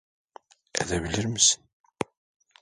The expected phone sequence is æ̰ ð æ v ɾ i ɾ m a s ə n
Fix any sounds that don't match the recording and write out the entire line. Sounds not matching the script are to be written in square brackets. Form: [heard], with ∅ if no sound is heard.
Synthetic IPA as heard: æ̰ ð æ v [l] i ɾ m [ə] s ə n